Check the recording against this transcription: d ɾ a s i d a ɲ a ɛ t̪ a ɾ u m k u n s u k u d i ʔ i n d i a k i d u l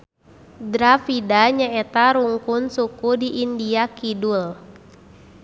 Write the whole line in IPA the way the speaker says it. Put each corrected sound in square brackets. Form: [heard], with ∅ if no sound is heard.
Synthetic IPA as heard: d ɾ a [f] i d a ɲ a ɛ t̪ a ɾ u [ŋ] k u n s u k u d i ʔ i n d i a k i d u l